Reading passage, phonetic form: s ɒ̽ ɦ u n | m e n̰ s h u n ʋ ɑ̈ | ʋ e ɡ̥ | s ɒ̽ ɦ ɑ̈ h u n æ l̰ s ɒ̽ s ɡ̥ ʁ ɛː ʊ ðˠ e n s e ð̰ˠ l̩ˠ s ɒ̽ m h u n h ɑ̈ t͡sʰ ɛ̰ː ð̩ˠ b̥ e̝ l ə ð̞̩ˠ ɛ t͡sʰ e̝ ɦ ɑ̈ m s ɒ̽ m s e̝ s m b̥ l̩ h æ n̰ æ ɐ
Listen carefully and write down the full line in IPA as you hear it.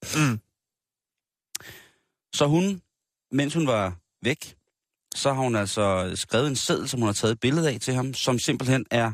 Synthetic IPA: s ɒ̽ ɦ u n | m e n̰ s h u n ʋ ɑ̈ | ʋ e ɡ̥ | s ɒ̽ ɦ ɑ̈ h u n æ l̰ s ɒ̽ s ɡ̥ ʁ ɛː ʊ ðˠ e n s e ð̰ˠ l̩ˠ s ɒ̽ m h u n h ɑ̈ t͡sʰ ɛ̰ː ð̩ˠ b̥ e̝ l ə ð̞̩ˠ ɛ t͡sʰ e̝ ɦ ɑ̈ m s ɒ̽ m s e̝ m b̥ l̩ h e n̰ æ ɐ